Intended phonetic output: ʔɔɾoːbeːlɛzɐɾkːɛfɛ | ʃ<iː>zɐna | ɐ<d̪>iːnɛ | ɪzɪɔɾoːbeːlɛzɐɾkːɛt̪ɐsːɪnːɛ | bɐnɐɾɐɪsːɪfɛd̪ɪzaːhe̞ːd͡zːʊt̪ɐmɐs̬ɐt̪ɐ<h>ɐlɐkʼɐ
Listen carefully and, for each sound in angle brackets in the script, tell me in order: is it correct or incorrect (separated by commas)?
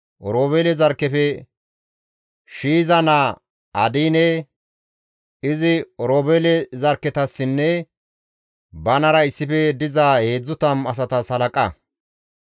correct, correct, incorrect